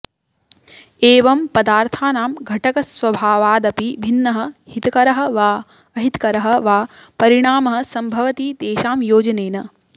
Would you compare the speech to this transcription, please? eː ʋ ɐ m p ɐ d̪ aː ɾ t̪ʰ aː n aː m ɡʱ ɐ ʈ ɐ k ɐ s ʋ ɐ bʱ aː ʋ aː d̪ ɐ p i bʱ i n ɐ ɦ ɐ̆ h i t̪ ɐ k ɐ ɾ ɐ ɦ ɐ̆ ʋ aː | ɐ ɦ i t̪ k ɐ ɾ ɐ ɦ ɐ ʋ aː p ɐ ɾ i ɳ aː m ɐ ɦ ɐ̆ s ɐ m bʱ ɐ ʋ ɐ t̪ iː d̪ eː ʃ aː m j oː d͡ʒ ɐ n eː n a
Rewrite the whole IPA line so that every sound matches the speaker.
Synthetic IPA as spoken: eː ʋ ɐ m p ɐ d̪ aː ɾ t̪ʰ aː n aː m ɡʱ ɐ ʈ ɐ k ɐ s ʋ ɐ bʱ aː ʋ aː d̪ ɐ p i bʱ i nː ɐ ɦ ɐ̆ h i t̪ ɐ k ɐ ɾ ɐ ɦ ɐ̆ ʋ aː | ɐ ɦ i t̪ k ɐ ɾ ɐ ɦ ɐ ʋ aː p ɐ ɾ i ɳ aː m ɐ ɦ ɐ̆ s ɐ m bʱ ɐ ʋ ɐ t̪ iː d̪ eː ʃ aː m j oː d͡ʒ ɐ n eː n ɐ